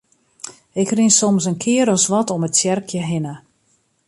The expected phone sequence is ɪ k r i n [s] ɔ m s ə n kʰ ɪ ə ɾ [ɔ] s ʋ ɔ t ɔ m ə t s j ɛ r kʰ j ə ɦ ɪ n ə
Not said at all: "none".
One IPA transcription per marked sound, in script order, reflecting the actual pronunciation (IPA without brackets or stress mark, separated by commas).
s, ɔ